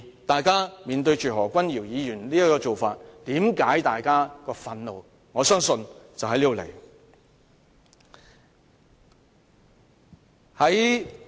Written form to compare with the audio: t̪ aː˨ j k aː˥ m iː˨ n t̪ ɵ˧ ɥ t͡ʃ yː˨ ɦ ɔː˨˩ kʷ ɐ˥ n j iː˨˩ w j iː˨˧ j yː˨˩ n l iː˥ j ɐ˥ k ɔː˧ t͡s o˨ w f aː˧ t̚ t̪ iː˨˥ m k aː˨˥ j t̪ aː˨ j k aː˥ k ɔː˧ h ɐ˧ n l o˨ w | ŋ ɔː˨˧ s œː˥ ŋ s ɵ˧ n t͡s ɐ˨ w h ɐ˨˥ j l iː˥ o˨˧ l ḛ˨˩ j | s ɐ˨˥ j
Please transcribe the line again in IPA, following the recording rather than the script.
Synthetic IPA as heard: t̪ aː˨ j k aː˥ m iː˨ n t̪ ɵ˧ ɥ t͡ʃ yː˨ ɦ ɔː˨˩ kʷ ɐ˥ n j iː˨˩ w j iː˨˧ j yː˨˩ n l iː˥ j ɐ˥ k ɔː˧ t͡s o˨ w f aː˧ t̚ t̪ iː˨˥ m k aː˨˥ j t̪ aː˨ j k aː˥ k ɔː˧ f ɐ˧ n l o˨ w | ŋ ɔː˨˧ s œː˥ ŋ s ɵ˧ n t͡s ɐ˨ w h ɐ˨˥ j l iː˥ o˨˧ l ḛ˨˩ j | h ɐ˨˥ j